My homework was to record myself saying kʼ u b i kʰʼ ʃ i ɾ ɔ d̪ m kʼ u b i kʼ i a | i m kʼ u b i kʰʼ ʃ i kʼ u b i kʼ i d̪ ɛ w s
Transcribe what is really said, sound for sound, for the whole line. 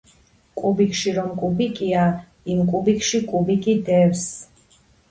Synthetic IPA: kʼ u b i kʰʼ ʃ i ɾ ɔ m kʼ u b i kʼ i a | i m kʼ u b i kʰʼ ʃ i kʼ u b i kʼ i d̪ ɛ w s